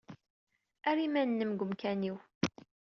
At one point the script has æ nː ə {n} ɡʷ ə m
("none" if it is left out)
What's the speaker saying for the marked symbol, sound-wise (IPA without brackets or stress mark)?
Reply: m